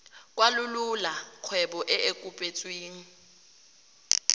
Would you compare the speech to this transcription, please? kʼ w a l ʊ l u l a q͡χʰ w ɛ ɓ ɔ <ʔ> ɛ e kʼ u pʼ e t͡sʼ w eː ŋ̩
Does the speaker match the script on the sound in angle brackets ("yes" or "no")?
yes